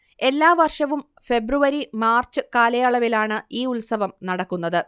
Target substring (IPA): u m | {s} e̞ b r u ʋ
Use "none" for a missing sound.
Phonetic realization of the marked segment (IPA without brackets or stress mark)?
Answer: f